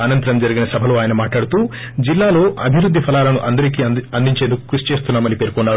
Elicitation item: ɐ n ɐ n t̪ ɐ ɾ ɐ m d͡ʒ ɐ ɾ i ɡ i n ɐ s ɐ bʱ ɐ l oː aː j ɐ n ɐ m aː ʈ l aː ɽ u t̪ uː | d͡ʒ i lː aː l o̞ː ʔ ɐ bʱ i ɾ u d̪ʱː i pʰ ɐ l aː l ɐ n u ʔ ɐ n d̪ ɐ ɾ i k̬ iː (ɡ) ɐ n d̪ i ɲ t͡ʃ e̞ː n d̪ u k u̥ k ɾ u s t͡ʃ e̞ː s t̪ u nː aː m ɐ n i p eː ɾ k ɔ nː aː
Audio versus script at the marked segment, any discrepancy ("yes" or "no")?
yes